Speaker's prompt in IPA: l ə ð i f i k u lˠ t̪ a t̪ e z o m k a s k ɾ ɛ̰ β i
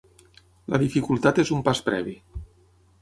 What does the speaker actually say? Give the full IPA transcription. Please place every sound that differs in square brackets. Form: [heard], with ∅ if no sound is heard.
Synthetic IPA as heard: l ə ð i f i k u lˠ t̪ a t̪ e z [u] m [p] a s [p] ɾ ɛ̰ β i